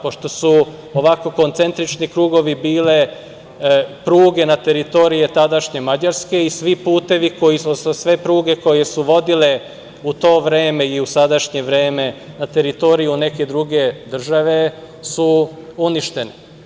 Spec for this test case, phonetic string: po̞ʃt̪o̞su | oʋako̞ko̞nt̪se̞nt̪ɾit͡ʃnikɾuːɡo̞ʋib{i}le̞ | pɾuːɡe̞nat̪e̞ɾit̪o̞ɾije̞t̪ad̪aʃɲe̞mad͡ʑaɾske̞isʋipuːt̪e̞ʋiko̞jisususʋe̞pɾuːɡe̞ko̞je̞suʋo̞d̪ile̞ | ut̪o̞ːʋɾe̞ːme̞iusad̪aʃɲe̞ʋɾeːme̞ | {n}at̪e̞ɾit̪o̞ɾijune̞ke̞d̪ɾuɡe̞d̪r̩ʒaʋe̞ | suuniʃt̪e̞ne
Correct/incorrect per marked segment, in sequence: incorrect: iː, correct

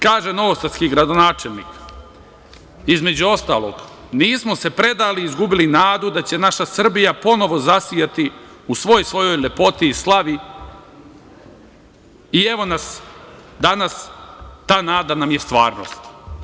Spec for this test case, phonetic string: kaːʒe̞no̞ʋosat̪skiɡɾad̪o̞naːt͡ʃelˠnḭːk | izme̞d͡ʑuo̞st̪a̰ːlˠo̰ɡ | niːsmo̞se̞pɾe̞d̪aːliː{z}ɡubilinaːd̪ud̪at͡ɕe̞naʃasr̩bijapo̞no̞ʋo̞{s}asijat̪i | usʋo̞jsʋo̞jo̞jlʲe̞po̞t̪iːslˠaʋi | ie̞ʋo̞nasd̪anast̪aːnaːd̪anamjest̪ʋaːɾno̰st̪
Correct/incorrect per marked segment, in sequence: correct, incorrect: z

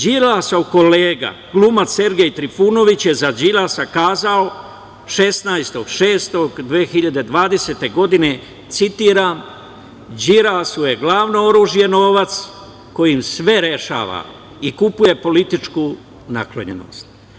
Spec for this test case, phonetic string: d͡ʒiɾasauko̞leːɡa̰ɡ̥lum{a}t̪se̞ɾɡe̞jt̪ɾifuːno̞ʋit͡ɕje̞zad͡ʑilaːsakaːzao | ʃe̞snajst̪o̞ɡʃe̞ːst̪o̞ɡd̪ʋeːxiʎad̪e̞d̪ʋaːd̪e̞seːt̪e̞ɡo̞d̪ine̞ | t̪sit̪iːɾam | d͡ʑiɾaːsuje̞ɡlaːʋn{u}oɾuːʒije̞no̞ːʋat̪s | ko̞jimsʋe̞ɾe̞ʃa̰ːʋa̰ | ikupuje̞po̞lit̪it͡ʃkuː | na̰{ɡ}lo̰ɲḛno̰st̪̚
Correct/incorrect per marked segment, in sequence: correct, incorrect: o, incorrect: k

